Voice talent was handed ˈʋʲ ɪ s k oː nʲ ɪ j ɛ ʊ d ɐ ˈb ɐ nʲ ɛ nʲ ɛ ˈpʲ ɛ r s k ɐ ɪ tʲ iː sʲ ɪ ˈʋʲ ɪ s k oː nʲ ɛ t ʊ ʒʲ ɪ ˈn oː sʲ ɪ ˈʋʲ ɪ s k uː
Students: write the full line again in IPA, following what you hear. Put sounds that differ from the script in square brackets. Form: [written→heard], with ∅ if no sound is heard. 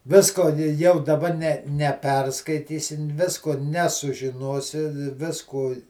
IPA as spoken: ˈʋʲ ɪ s k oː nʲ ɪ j ɛ ʊ d ɐ ˈb ɐ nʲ ɛ nʲ ɛ ˈpʲ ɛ r s k ɐ ɪ tʲ iː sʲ ɪ ˈʋʲ ɪ s k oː nʲ ɛ [t→s] ʊ ʒʲ ɪ ˈn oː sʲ ɪ ˈʋʲ ɪ s k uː